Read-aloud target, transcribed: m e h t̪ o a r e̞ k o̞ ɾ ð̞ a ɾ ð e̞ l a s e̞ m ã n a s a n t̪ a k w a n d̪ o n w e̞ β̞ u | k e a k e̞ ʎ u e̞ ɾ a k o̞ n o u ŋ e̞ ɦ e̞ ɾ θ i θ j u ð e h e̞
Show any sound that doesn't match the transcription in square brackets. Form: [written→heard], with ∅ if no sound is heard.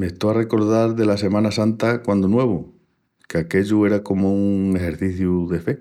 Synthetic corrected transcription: m e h t̪ o a r e̞ k o̞ ɾ ð̞ a ɾ ð e̞ l a s e̞ m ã n a s a n t̪ a k w a n d̪ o n w e̞ β̞ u | k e a k e̞ ʎ u e̞ ɾ a k o̞ [n→m] o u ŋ e̞ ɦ e̞ ɾ θ i θ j u ð e [h→f] e̞